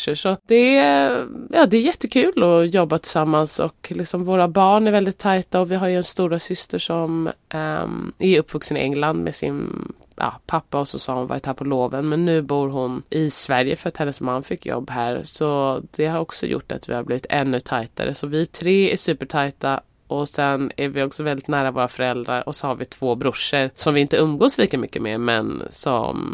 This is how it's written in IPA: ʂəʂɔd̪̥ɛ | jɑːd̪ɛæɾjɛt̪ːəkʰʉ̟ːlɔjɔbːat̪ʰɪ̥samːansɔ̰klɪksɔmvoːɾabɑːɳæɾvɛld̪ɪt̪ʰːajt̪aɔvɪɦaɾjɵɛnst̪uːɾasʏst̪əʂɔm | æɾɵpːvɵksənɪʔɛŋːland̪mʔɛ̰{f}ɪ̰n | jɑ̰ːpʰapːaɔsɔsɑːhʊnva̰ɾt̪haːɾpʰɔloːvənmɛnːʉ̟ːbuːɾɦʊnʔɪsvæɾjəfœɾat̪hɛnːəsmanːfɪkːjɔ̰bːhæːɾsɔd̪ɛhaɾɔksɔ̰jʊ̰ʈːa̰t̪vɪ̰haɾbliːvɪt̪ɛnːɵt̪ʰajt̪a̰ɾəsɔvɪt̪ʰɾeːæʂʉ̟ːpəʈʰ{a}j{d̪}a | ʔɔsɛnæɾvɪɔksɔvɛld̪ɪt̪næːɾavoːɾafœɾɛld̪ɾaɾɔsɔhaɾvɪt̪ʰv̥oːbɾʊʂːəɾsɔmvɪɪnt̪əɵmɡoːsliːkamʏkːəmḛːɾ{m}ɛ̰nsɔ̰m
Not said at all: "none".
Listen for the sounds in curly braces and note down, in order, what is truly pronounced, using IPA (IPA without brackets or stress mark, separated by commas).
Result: s, a, t̪, m